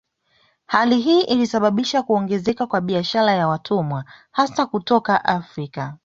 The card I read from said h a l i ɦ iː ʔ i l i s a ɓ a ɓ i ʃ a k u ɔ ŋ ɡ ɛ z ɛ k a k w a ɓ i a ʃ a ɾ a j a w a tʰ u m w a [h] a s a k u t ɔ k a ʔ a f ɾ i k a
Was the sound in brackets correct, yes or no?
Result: yes